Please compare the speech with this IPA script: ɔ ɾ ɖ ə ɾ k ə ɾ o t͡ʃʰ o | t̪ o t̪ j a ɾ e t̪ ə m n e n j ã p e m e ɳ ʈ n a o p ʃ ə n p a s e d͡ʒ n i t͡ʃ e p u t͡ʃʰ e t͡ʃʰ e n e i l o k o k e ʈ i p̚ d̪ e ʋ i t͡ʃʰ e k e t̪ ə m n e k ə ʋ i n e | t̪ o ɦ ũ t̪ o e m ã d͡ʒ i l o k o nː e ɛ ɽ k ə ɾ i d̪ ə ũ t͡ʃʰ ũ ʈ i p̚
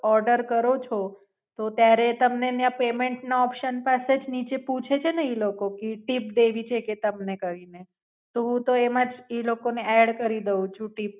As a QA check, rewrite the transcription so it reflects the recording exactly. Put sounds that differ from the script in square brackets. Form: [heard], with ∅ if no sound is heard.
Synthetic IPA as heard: ɔ ɾ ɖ ə ɾ k ə ɾ o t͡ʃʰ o | t̪ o t̪ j a ɾ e t̪ ə m n e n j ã p e m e ɳ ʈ n a [ɔ] p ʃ ə n p a s e d͡ʒ n i t͡ʃ e p u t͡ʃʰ e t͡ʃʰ e n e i l o k o k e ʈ i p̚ d̪ e ʋ i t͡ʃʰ e k e t̪ ə m n e k ə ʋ i n e | t̪ o ɦ ũ t̪ o e m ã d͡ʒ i l o k o [n] e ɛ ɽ k ə ɾ i d̪ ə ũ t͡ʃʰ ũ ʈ i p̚